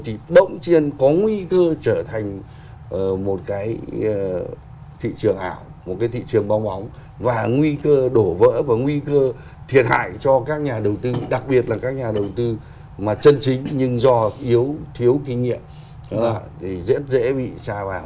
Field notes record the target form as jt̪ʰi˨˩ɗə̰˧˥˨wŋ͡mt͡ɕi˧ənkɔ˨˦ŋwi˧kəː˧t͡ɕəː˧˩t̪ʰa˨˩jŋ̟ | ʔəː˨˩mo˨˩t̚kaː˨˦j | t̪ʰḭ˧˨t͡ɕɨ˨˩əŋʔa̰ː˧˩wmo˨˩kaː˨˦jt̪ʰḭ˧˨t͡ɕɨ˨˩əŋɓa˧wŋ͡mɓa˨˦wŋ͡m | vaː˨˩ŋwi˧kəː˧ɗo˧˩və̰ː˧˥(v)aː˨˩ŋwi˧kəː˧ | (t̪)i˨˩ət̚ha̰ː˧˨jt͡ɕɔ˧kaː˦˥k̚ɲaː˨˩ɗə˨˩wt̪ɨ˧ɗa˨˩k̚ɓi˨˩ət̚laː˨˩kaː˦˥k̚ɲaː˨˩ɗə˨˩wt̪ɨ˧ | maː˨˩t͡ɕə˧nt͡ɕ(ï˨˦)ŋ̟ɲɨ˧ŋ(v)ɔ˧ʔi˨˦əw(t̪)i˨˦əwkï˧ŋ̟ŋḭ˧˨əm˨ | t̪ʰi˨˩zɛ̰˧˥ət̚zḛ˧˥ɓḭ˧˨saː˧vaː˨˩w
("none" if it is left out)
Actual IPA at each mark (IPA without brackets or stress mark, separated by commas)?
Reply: v, t̪ʰ, ï˨˦, z, t̪ʰ